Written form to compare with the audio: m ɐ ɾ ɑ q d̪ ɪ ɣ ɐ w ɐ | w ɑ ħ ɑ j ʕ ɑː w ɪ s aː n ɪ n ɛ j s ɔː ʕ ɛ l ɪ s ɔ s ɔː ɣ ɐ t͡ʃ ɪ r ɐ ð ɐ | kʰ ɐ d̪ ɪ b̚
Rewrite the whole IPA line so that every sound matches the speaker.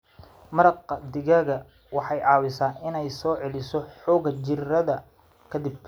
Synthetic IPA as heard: m ɐ ɾ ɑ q d̪ ɪ ɣ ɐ ɣ ɐ | w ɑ ħ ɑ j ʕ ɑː w ɪ s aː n ɪ n ɛ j s ɔː ʕ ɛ l ɪ s ɔ ħ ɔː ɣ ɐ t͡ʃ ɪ r ɐ ð ɐ | kʰ ɐ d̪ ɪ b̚